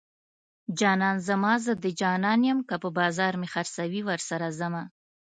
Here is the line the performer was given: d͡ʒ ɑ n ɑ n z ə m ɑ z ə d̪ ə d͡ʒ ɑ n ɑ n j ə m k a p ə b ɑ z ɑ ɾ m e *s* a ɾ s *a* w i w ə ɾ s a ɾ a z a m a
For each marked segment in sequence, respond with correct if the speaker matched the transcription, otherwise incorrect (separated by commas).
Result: incorrect, correct